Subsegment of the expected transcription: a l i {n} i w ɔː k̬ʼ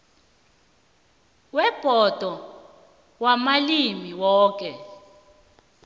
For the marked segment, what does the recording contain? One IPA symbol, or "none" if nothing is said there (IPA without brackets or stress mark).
m